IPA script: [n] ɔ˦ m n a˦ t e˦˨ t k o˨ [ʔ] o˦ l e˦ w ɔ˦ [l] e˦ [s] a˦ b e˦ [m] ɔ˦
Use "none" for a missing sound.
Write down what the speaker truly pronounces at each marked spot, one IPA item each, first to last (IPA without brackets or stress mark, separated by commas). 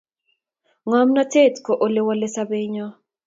ŋ, ʔ, l, s, ɲ